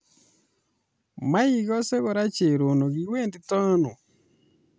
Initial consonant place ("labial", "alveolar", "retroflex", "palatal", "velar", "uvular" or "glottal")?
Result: labial